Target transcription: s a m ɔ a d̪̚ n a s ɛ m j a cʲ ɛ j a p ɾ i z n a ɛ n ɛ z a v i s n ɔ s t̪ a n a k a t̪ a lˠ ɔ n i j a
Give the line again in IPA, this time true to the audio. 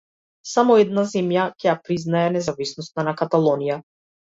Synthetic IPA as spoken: s a m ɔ ɛ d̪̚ n a z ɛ m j a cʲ ɛ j a p ɾ i z n a ɛ n ɛ z a v i s n ɔ s t̪ a n a k a t̪ a lˠ ɔ n i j a